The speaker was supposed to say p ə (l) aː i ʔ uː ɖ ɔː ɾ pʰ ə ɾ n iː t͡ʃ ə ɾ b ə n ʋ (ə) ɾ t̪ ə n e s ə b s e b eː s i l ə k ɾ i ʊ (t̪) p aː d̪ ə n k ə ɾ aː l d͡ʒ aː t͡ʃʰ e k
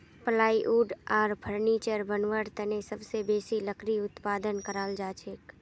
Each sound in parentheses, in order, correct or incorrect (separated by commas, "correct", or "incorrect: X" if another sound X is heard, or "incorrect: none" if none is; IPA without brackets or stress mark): correct, correct, correct